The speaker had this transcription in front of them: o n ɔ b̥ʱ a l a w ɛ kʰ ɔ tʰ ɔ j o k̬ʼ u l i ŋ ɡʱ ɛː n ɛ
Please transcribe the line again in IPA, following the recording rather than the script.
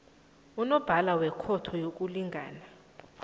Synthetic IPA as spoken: u n ɔ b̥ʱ a l a w ɛ kʰ ɔ tʰ ɔ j o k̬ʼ u l i ŋ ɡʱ aː n a

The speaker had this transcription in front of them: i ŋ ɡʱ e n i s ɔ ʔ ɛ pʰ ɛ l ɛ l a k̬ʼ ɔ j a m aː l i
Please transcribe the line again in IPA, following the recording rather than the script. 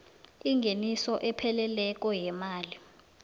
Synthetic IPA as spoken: i ŋ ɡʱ e n i s ɔ ʔ ɛ pʰ ɛ l ɛ l ɛ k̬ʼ ɔ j ɛ m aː l i

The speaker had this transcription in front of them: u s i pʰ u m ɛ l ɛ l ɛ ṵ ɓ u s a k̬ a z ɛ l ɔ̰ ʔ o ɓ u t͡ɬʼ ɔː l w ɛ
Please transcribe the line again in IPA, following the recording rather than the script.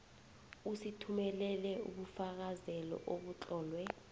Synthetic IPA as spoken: u s i tʰ u m ɛ l ɛ l ɛ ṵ ɓ u f a k̬ a z ɛ l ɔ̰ ʔ o ɓ u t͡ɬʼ ɔː l w ɛ

